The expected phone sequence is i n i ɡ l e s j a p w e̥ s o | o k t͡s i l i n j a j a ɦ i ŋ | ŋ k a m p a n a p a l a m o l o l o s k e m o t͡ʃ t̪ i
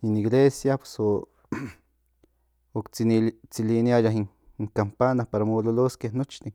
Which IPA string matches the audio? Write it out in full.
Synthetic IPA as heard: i n i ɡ l e s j a p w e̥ s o | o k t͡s i l i n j a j a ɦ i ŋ | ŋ k a m p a n a p a ɾ a m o l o l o s k e n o t͡ʃ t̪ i